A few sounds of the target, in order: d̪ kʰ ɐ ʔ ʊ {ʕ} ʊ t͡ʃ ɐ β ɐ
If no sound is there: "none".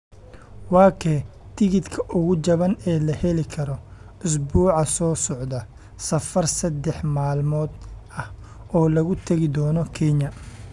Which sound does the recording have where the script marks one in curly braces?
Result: ɣ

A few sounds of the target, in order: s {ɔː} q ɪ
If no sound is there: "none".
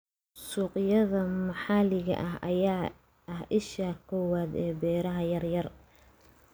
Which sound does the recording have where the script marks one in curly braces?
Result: uː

